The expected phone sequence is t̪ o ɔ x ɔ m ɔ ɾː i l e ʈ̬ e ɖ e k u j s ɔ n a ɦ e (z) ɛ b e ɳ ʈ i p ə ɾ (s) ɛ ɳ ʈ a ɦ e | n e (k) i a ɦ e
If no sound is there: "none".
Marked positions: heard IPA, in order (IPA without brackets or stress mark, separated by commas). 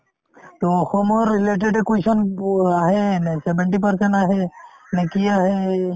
s, s, k